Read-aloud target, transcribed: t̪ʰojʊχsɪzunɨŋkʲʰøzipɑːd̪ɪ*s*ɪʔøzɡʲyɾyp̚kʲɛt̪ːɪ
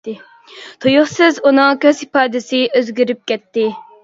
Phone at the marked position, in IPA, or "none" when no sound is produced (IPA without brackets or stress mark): s